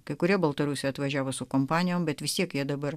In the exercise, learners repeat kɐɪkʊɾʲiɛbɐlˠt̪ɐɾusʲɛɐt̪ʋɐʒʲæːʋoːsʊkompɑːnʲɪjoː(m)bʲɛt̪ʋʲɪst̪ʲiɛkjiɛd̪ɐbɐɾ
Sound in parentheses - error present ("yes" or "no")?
no